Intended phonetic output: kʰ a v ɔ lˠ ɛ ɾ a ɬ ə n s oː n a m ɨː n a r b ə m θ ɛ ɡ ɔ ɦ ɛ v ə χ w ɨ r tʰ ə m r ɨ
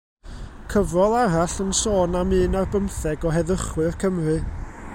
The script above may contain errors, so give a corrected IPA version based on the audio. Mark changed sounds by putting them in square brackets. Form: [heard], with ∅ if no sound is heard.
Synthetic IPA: kʰ [ə] v ɔ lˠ [a] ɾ a ɬ ə n s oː n a m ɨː n a r b ə m θ ɛ ɡ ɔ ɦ ɛ [ð] ə χ w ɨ r [kʰ] ə m r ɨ